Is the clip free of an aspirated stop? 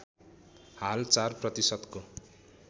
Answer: yes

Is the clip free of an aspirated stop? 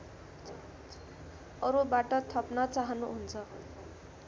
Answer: no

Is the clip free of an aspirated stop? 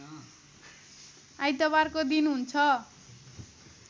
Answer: no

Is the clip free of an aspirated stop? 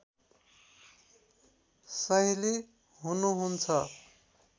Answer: no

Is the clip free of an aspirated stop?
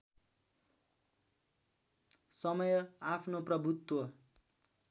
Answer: no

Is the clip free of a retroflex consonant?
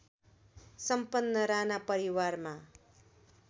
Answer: yes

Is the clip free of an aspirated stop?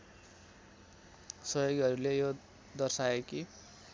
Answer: yes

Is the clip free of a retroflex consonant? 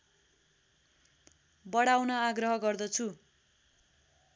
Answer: no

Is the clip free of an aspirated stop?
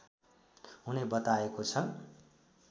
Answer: no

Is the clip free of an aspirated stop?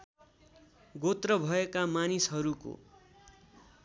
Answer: yes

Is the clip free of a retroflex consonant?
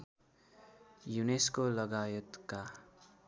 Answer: yes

